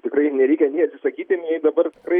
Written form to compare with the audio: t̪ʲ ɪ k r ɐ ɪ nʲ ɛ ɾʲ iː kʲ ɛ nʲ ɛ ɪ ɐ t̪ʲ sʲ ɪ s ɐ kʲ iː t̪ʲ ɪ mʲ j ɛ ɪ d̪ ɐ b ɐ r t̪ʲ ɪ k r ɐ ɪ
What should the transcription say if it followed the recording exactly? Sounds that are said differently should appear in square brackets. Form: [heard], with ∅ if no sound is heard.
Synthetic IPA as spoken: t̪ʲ ɪ k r ɐ ɪ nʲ ɛ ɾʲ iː kʲ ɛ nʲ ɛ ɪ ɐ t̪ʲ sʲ ɪ s ɐ kʲ iː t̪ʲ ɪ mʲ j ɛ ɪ d̪ ɐ b ɐ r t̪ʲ ɪ k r ɐ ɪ